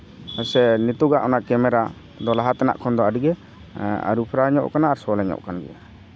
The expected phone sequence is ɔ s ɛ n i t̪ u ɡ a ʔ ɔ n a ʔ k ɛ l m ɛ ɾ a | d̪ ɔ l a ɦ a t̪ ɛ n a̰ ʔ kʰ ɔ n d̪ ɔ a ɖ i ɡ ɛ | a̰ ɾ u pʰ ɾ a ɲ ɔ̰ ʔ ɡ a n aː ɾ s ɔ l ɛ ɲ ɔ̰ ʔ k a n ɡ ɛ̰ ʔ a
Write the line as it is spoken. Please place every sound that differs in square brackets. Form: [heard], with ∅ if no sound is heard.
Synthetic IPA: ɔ s ɛ n i t̪ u ɡ a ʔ ɔ n a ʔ k ɛ [∅] m ɛ ɾ a | d̪ ɔ l a ɦ a t̪ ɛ n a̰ ʔ kʰ ɔ n d̪ ɔ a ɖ i ɡ ɛ | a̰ ɾ u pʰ ɾ a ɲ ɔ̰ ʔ [k] a n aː ɾ s ɔ l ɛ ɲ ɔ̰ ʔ k a n ɡ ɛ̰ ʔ a